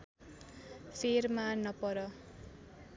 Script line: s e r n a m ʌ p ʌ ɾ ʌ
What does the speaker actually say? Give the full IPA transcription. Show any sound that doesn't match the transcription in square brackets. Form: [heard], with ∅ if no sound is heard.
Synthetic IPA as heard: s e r [m] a [n] ʌ p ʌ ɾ ʌ